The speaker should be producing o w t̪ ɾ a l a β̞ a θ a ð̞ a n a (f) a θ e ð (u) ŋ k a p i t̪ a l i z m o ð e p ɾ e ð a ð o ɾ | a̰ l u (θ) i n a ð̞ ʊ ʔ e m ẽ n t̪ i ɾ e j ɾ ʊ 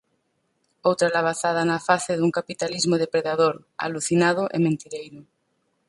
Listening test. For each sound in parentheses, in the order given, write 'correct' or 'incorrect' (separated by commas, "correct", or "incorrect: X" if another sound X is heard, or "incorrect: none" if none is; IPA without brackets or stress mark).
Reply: correct, correct, correct